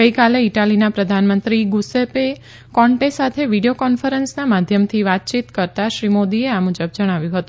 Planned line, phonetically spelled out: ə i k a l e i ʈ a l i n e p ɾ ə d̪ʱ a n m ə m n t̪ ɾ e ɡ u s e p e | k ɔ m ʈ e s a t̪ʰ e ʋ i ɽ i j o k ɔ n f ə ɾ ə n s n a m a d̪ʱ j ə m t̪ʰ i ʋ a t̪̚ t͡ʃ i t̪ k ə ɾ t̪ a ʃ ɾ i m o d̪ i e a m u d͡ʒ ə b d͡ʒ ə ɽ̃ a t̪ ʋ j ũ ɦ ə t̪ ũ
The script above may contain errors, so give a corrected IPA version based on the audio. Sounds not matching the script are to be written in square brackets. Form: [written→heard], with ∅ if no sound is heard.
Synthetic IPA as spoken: ə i k a l e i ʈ a l i n [e→a] p ɾ ə d̪ʱ a n m ə [m→∅] n t̪ ɾ [e→i] ɡ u s e p e | k ɔ [m→ɳ] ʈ e s a t̪ʰ e ʋ i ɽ i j o k ɔ n f ə ɾ ə n s n a m a d̪ʱ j ə m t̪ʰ i ʋ a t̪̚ t͡ʃ i t̪ k ə ɾ t̪ a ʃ ɾ i m o d̪ i e a m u d͡ʒ ə b d͡ʒ ə ɽ̃ a [t̪→∅] ʋ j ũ ɦ ə t̪ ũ